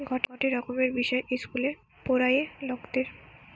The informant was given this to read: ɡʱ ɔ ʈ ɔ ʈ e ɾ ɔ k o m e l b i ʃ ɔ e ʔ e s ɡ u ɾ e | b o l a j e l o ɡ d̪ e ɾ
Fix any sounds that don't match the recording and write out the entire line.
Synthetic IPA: ɡʱ ɔ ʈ ɔ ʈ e ɾ ɔ k o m e ɾ b i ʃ ɔ e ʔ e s k u l e | p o ɾ a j e l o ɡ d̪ e ɾ